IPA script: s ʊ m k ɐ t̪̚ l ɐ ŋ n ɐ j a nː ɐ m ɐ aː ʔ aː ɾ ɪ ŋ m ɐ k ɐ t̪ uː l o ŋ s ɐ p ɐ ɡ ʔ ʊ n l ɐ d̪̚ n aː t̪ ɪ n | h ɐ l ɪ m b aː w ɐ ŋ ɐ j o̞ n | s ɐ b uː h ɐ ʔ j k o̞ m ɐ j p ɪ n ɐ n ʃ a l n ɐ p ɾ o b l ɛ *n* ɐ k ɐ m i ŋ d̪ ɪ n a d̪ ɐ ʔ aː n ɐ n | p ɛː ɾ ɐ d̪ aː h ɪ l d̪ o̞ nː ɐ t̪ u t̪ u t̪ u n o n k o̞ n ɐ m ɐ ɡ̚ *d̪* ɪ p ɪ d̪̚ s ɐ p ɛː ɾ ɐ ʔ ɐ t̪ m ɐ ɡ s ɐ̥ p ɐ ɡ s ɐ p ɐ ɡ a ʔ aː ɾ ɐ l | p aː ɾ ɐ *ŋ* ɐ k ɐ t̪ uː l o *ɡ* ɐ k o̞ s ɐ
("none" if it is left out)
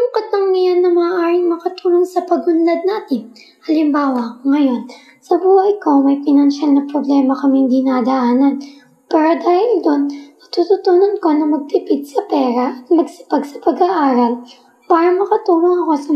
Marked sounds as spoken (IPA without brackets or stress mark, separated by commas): m, t̪, m, ŋ